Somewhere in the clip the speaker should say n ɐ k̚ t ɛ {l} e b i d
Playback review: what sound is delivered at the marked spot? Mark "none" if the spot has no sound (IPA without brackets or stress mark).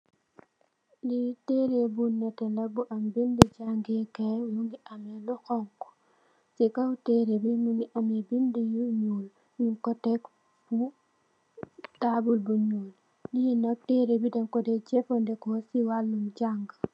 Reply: ɾ